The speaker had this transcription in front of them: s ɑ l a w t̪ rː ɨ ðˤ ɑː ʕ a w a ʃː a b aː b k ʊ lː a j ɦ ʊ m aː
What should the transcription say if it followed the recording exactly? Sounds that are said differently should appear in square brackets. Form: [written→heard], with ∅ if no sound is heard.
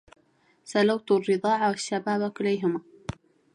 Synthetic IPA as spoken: s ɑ l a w t̪ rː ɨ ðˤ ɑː ʕ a w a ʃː a b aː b k ʊ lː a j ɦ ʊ m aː